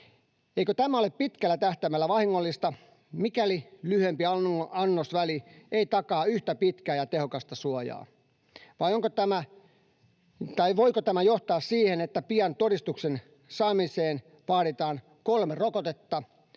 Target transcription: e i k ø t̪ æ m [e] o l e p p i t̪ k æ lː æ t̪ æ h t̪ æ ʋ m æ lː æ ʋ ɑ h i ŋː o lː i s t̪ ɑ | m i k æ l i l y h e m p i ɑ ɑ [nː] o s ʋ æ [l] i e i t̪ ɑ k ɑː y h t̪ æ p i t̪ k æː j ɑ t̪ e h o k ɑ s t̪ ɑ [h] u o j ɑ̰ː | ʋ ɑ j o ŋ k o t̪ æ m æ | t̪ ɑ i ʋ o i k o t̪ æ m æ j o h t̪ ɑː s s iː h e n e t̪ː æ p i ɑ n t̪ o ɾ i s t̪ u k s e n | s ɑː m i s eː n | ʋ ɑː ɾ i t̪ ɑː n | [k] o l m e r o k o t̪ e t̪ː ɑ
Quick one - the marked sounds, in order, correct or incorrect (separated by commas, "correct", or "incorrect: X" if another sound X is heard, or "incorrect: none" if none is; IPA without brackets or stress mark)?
incorrect: æ, correct, correct, incorrect: s, correct